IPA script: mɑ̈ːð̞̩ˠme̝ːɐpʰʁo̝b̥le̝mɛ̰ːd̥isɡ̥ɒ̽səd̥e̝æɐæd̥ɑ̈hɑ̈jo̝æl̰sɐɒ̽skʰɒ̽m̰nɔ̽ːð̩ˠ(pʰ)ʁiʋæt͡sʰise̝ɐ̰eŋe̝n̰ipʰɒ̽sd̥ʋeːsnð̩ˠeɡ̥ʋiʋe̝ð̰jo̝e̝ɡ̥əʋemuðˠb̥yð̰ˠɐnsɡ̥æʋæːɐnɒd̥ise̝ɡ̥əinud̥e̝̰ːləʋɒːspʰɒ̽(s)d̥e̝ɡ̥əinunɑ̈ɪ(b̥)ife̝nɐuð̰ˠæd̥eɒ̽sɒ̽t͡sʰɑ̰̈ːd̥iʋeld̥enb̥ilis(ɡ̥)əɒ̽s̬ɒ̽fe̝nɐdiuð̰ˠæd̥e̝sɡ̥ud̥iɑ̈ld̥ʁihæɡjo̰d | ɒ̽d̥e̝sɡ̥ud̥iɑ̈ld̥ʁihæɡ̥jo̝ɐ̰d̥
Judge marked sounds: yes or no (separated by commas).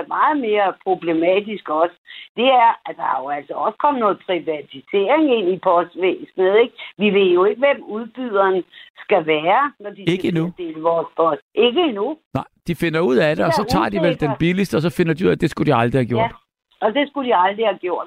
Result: yes, yes, no, no